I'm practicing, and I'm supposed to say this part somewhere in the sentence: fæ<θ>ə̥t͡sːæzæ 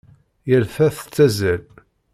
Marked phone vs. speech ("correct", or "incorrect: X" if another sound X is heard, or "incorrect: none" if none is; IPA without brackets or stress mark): correct